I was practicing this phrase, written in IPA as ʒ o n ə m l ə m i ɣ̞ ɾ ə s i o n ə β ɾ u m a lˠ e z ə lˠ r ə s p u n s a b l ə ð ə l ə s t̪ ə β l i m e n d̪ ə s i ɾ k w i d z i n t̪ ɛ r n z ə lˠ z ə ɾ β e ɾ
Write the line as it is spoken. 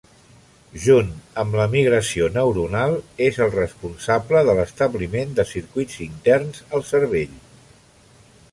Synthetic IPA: ʒ u n ə m l ə m i ɣ̞ ɾ ə s i o n ə w ɾ u n a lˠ e z ə lˠ r ə s p u n s a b l ə ð ə l ə s t̪ ə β l i m e n d̪ ə s i ɾ k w i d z i n t̪ ɛ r n z ə lˠ s ə ɾ β e ʎ